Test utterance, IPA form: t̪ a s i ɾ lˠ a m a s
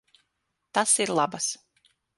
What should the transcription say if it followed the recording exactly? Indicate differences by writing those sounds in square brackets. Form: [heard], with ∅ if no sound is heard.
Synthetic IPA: t̪ a s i ɾ lˠ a [b] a s